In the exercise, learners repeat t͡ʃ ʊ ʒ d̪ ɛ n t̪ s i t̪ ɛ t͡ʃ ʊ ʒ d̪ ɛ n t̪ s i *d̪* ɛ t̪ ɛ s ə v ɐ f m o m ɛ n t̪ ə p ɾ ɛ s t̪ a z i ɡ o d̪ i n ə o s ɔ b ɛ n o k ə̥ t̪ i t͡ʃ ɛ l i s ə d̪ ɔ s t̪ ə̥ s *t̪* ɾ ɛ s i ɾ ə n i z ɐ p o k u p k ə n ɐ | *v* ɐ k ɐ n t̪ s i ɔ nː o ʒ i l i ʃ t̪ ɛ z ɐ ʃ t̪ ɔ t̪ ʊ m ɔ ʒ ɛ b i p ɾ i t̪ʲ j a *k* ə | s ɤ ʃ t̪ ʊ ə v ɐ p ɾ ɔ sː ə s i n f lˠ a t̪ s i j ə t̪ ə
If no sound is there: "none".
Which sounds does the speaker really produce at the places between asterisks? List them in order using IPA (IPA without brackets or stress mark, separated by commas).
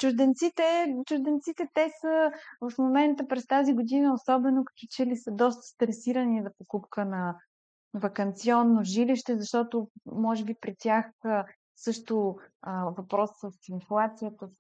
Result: t̪, t̪, v, x